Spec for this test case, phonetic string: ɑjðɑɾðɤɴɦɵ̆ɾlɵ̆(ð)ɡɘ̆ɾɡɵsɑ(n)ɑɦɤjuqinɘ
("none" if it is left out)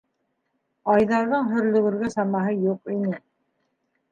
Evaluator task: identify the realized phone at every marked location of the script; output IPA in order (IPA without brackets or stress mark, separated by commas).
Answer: none, m